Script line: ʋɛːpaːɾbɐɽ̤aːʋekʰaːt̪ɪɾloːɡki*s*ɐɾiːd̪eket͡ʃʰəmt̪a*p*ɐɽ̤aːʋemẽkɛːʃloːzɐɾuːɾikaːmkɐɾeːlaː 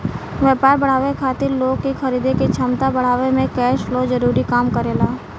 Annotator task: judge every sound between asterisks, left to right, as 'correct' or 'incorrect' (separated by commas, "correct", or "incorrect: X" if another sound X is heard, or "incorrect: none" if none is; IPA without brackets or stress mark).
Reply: incorrect: x, incorrect: b